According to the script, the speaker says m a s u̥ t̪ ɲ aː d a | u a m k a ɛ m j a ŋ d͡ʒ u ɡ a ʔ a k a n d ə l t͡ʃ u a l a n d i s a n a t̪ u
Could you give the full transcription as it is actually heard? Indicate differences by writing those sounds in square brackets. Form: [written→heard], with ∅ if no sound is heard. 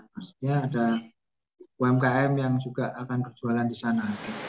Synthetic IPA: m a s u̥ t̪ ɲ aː d a | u [a→ɛ] m k a ɛ m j a ŋ d͡ʒ u ɡ a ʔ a k a n [d→b] ə [l→r] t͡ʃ u a l a n d i s a n a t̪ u

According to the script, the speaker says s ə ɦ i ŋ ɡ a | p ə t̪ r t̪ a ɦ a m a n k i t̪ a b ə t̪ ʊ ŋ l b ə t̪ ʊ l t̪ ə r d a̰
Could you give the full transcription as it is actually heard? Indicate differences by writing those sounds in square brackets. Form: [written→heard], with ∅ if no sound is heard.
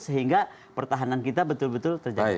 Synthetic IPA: s ə ɦ i ŋ ɡ a | p ə [t̪→∅] r t̪ a ɦ a [m→n] a n k i t̪ a b ə t̪ ʊ [ŋ→∅] l b ə t̪ ʊ l t̪ ə r [d→d͡ʒ] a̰

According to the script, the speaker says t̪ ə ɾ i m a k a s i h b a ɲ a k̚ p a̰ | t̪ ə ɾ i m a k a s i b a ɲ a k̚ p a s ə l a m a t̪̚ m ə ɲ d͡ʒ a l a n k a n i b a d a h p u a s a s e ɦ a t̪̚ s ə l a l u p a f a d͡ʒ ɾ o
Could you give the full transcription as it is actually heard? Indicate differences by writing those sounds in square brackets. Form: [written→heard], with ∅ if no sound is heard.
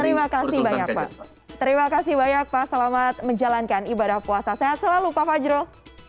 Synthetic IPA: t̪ ə ɾ i m a k a s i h b a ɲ a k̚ p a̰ | t̪ ə ɾ i m a k a s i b a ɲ a k̚ p a s ə l a m a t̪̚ m ə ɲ d͡ʒ a l a n k a n i b a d a h p u a s a s e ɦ a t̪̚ s ə l a l u p a f a d͡ʒ ɾ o

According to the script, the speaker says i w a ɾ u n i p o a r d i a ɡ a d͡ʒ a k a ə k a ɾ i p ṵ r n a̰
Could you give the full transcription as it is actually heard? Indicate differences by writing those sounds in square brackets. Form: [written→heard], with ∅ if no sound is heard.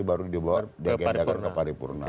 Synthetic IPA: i [w→b] a ɾ u [n→d] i [p→b] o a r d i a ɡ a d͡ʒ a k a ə [k→p] a ɾ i p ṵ r n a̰

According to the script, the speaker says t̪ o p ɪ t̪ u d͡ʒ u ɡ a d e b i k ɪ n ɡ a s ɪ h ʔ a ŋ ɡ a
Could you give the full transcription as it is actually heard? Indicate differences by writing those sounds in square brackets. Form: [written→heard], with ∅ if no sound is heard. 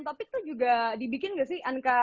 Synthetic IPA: t̪ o p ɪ t̪ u d͡ʒ u ɡ a d [e→i] b i k ɪ n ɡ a s ɪ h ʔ a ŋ [ɡ→k] a

